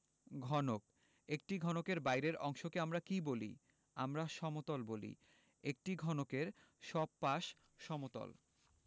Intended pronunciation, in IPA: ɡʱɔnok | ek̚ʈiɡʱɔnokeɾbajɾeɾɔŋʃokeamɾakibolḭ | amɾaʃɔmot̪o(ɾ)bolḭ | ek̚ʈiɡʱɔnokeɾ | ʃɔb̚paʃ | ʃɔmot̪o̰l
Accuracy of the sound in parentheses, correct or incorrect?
incorrect